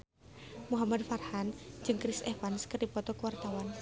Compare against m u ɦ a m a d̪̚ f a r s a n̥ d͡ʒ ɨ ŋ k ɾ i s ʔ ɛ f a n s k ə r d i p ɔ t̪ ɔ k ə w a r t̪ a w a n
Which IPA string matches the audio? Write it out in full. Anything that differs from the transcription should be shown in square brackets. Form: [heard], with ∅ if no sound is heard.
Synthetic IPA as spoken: m u ɦ a m a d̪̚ f a r [h] a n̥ d͡ʒ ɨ ŋ k ɾ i s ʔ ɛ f a n s k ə r d i p ɔ t̪ ɔ k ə w a r t̪ a w a n